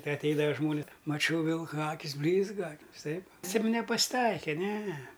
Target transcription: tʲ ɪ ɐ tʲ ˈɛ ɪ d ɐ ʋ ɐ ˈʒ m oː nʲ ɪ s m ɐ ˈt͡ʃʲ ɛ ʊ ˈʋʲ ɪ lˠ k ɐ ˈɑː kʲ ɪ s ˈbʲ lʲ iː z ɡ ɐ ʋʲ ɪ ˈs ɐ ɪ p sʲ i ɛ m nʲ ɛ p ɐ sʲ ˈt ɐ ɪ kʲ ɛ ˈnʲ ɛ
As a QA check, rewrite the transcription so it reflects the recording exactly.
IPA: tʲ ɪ ɐ tʲ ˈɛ ɪ d ɐ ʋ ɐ ˈʒ m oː nʲ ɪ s m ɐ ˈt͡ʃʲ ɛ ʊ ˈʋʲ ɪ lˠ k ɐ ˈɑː kʲ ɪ s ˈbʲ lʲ iː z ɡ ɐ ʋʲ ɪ ˈs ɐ ɪ p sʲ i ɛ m nʲ ɛ p ɐ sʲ ˈt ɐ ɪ kʲ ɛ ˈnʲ ɛ